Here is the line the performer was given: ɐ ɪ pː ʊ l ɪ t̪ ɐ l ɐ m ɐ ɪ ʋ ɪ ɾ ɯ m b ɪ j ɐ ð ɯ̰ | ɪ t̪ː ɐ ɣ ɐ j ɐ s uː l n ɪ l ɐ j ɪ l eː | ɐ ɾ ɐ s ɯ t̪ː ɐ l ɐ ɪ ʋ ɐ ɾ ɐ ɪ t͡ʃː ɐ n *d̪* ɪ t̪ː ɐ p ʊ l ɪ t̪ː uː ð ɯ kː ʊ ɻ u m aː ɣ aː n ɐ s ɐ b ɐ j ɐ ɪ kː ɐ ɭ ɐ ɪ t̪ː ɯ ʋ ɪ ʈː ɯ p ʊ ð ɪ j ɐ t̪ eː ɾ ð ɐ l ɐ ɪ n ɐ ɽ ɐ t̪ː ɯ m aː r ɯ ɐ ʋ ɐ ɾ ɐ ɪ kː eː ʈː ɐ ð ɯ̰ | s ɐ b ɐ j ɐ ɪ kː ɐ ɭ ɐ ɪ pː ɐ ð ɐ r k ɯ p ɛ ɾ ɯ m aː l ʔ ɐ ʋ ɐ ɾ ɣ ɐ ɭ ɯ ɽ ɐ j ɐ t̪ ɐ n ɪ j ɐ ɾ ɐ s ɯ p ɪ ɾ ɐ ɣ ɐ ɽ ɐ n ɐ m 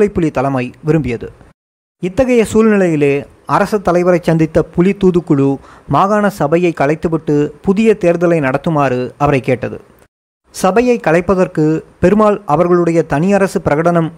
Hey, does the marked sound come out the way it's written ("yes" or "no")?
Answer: yes